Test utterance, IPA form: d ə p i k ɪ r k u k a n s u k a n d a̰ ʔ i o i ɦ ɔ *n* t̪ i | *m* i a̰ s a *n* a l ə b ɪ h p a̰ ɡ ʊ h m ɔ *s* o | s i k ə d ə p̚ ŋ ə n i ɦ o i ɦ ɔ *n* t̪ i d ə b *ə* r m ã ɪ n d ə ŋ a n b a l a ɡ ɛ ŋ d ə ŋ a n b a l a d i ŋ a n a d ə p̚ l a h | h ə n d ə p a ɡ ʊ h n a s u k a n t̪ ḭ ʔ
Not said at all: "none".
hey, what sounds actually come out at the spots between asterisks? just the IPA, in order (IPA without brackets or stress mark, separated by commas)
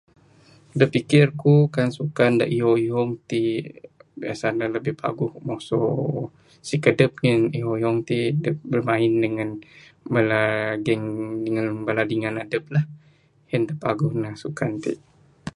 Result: ŋ, b, n, s, ŋ, ə